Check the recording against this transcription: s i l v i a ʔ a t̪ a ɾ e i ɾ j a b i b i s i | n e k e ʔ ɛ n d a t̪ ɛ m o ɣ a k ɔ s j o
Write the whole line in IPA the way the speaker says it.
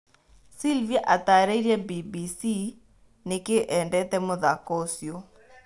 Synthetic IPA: s i l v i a ʔ a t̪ a ɾ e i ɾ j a b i b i s i | n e k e ʔ ɛ n d ɛ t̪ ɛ m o ð a k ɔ s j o

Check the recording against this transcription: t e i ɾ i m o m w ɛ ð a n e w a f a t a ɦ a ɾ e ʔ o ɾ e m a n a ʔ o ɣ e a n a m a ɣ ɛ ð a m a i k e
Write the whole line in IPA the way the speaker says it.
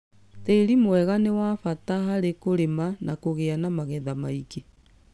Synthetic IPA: t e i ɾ i m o w ɛ ɣ a n e w a f a t a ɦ a ɾ e k o ɾ e m a n a k o ɣ e a n a m a ɣ ɛ ð a m a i k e

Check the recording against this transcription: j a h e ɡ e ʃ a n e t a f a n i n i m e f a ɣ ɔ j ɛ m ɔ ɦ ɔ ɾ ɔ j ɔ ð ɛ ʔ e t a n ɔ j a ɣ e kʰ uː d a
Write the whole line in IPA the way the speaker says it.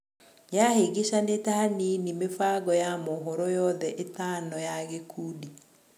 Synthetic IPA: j a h e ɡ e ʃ a n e t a h a n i n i m e f a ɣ ɔ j a m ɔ ɦ ɔ ɾ ɔ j ɔ ð ɛ ʔ e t a n ɔ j a ɣ e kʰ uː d i

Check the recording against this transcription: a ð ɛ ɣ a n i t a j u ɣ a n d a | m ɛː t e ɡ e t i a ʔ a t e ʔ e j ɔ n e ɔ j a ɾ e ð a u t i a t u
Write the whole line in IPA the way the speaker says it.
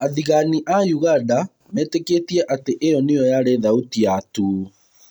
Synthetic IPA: a ð i ɣ a n i ʔ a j u ɣ a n d a | m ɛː t e k e t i ɛ ʔ a t e ʔ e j ɔ n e ɔ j a ɾ e ð a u t i a t u

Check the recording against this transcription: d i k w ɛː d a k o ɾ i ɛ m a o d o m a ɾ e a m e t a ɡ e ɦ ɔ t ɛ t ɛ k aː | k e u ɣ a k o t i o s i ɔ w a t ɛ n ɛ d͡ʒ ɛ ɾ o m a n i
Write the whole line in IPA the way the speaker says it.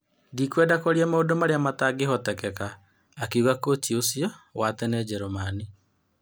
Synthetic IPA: d i k w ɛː d a k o ɾ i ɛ m a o d o m a ɾ e a m a t a ɡ e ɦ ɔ t ɛ k ɛ k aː | k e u ɣ a k o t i o s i ɔ w a t ɛ n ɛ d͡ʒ ɛ ɾ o m a n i

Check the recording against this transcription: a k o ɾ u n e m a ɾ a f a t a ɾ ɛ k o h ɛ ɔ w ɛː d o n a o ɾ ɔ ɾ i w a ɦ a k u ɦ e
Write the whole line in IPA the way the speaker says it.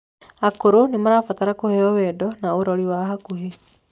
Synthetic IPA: a k o ɾ o n e m a ɾ a f a t a ɾ a k o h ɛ ɔ w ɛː d ɔ n a o ɾ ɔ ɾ i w a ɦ a k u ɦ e

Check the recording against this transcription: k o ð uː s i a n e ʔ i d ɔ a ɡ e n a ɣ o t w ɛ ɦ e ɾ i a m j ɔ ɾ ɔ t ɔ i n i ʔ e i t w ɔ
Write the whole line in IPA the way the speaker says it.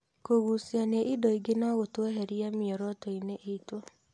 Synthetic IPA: k o ɣ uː s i a n e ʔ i d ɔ i ɡ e n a ɣ o t w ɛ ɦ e ɾ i a m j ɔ ɾ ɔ t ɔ i n e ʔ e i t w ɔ

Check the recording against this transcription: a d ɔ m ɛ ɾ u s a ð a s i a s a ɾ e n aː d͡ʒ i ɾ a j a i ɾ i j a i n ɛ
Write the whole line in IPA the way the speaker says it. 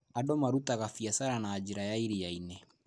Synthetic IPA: a d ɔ m a ɾ u t a ɣ a f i a s a ɾ a n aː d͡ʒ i ɾ a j a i ɾ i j a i n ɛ

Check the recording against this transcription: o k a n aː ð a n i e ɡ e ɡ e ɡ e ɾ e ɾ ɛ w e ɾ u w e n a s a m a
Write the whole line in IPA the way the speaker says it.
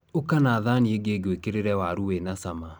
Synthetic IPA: o k a n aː ð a n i e ɡ e ɡ e k e ɾ e ɾ ɛ w a ɾ u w e n a s a m a

